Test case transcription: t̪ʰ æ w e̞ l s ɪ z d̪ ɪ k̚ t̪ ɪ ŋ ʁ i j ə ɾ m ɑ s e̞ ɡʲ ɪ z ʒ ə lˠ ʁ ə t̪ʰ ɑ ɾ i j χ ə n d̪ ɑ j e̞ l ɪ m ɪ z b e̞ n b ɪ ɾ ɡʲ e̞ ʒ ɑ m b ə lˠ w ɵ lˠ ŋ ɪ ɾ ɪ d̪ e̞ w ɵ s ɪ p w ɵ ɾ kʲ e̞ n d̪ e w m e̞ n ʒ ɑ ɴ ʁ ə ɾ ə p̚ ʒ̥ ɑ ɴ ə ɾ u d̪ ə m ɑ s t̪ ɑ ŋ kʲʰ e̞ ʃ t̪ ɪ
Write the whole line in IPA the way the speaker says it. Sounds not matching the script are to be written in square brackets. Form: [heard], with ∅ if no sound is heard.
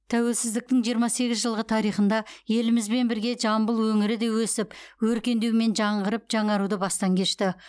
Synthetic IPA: t̪ʰ æ w e̞ l s ɪ z d̪ ɪ k̚ t̪ ɪ ŋ [ʒ] i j ə ɾ m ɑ s e̞ ɡʲ ɪ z ʒ ə lˠ ʁ ə t̪ʰ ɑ ɾ i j χ ə n d̪ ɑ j e̞ l ɪ m ɪ z b e̞ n b ɪ ɾ ɡʲ e̞ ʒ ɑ m b ə lˠ w ɵ [∅] ŋ ɪ ɾ ɪ d̪ e̞ w ɵ s ɪ p w ɵ ɾ kʲ e̞ n d̪ e w m e̞ n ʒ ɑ ɴ ʁ ə ɾ ə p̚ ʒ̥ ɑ ɴ [ɑ] ɾ u d̪ ə [b] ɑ s t̪ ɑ ŋ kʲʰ e̞ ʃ t̪ ɪ

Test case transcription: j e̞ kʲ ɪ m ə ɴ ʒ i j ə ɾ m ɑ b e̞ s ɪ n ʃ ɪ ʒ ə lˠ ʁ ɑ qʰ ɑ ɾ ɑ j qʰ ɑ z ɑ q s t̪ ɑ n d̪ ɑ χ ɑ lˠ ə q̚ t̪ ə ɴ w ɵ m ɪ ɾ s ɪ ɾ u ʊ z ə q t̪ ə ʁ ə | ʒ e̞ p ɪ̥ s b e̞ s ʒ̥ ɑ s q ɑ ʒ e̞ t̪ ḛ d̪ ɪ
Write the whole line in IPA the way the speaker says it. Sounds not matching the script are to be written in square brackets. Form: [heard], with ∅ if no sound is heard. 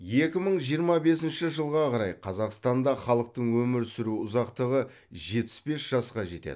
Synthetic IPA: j e̞ kʲ ɪ m ə ɴ ʒ i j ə ɾ m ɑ b e̞ s ɪ n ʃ ɪ ʒ ə lˠ ʁ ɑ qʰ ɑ ɾ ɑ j qʰ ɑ z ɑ q s t̪ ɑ n d̪ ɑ χ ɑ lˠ ə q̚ t̪ ə ɴ w ɵ m ɪ ɾ s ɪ ɾ u ʊ z [ɑ] q t̪ ə ʁ ə | ʒ e̞ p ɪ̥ s b e̞ s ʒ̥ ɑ s q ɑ ʒ e̞ t̪ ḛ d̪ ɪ

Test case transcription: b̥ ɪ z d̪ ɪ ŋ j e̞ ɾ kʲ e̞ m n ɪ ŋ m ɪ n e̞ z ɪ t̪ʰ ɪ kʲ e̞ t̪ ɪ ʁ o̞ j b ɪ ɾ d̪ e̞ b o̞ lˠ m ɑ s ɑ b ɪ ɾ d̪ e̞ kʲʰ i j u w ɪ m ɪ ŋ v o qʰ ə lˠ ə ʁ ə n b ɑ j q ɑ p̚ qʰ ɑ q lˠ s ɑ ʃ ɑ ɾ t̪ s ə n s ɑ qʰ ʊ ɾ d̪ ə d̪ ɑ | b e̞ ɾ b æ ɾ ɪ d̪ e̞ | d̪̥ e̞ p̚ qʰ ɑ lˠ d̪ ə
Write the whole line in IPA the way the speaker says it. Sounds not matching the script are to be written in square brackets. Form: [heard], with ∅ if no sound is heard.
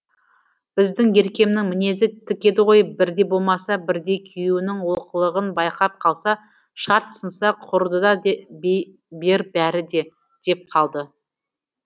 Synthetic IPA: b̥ ɪ z d̪ ɪ ŋ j e̞ ɾ kʲ e̞ m n ɪ ŋ m ɪ n e̞ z ɪ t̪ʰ ɪ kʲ e̞ [d̪] ɪ ʁ o̞ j b ɪ ɾ d̪ e̞ b o̞ lˠ m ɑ s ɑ b ɪ ɾ d̪ e̞ kʲʰ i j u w ɪ [n] ɪ ŋ [w] o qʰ ə lˠ ə ʁ ə n b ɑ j q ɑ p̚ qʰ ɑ [∅] lˠ s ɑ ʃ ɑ ɾ t̪ s ə n s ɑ qʰ ʊ ɾ d̪ ə d̪ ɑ | b e̞ ɾ b æ ɾ ɪ d̪ e̞ | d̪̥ e̞ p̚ qʰ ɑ lˠ d̪ ə

